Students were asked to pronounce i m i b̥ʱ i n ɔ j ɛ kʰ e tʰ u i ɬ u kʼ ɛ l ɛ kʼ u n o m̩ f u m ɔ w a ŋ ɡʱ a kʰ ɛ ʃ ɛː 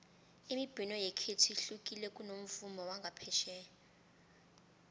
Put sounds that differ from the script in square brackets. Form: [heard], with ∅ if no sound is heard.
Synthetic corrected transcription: i m i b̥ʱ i n ɔ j ɛ kʰ e tʰ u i ɬ u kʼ [i] l ɛ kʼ u n o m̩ f u m ɔ w a ŋ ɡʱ a [pʰ] ɛ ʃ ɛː